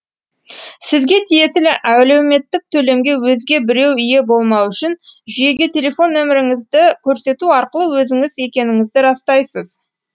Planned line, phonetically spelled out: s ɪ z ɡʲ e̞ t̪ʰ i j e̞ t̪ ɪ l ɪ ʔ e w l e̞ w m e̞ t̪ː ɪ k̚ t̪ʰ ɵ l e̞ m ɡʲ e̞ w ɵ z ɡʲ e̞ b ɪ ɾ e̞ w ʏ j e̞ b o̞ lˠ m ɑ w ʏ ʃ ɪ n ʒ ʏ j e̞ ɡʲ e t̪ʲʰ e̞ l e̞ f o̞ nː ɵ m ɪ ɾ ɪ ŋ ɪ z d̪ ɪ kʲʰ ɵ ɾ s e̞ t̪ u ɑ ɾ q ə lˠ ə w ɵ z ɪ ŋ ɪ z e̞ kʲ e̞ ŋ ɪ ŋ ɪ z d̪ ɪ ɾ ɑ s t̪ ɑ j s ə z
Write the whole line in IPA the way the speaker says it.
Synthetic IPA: s ɪ z ɡʲ e̞ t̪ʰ i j e̞ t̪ ɪ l ɪ ʔ æ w l e̞ w m e̞ t̪ː ɪ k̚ t̪ʰ ɵ l e̞ m ɡʲ e̞ w ɵ z ɡʲ e̞ b ɪ ɾ e̞ w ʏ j e̞ b o̞ lˠ m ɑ w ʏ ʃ ɪ n ʒ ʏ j e̞ ɡʲ e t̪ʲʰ e̞ l e̞ f o̞ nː ɵ m ɪ ɾ ɪ ŋ ɪ z d̪ ɪ kʲʰ ɵ ɾ s e̞ t̪ u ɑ ɾ q ə lˠ ə w ɵ z ɪ ŋ ɪ z e̞ kʲ e̞ n ɪ ŋ ɪ z d̪ ɪ ɾ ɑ s t̪ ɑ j s ə z